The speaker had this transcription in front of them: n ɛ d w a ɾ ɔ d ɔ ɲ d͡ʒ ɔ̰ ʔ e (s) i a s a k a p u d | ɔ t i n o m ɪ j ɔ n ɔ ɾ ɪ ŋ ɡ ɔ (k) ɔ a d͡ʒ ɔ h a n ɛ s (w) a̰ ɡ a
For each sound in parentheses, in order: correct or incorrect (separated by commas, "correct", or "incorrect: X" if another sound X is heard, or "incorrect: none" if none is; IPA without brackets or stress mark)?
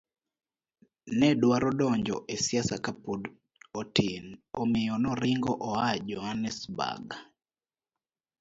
correct, incorrect: ʔ, incorrect: b